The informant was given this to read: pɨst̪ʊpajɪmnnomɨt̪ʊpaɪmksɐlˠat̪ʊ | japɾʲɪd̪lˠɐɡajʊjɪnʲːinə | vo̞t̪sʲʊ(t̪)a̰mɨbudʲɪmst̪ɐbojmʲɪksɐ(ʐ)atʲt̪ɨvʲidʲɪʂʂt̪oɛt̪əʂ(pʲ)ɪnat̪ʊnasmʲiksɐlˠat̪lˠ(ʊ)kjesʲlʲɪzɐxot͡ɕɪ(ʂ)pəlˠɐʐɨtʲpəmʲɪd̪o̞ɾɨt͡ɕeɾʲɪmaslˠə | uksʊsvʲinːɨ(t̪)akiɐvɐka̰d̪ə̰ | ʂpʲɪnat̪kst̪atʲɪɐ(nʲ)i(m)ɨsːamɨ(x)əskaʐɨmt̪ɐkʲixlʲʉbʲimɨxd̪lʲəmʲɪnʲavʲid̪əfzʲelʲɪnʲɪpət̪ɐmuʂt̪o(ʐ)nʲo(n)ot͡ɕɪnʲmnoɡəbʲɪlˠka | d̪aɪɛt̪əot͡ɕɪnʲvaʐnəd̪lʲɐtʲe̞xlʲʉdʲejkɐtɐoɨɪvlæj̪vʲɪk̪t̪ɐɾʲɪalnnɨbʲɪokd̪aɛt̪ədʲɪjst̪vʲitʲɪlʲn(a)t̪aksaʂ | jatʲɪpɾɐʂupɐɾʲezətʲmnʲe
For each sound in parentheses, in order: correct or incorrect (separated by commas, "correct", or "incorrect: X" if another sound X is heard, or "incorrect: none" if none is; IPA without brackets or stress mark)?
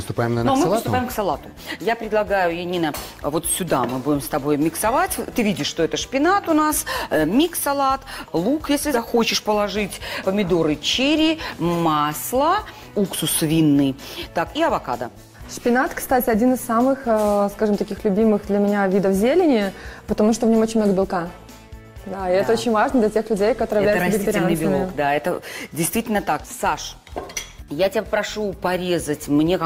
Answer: incorrect: d̪, incorrect: v, correct, incorrect: u, correct, correct, incorrect: dʲ, incorrect: n, correct, incorrect: v, incorrect: m, incorrect: ə